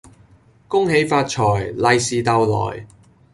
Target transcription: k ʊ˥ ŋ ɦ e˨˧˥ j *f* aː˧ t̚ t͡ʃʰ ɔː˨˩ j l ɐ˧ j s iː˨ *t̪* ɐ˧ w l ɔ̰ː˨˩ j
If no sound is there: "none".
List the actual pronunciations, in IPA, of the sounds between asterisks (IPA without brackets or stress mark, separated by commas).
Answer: f, t̪